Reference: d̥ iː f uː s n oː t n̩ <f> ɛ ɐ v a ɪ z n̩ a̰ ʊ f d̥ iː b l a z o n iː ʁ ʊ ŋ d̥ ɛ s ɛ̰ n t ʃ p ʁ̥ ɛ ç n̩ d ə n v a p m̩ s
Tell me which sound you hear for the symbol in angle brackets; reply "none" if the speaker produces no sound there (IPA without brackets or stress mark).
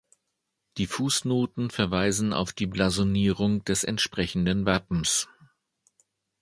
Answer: f